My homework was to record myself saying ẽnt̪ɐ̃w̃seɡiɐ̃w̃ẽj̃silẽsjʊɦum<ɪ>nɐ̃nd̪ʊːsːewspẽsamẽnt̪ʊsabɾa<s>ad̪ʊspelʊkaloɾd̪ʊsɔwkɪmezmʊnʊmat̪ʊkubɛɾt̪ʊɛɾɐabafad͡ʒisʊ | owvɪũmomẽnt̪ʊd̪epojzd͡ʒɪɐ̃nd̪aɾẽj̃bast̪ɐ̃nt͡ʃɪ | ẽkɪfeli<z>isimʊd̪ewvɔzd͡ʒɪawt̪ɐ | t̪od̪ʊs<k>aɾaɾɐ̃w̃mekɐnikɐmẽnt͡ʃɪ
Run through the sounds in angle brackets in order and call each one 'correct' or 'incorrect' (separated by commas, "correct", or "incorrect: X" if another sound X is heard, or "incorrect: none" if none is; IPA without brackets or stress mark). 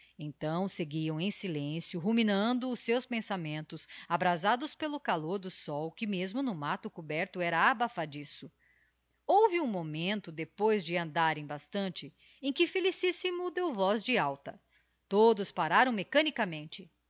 incorrect: i, incorrect: z, incorrect: s, incorrect: p